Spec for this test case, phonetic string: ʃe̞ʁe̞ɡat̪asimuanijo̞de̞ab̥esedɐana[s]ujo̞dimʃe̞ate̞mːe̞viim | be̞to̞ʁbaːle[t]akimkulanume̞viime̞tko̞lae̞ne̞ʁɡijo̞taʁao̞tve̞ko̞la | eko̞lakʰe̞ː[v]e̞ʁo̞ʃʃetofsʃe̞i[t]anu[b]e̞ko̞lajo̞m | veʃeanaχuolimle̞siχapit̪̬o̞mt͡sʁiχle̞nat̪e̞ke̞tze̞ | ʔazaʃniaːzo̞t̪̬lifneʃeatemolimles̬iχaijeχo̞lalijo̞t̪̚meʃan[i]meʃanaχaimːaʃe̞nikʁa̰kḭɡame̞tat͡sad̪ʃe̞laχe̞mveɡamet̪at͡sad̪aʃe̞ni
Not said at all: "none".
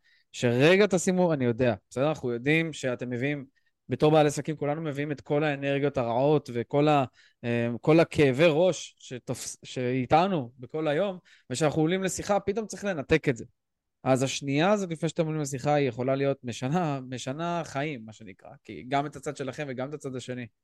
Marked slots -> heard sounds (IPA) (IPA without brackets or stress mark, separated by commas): χ, s, v, t, b, a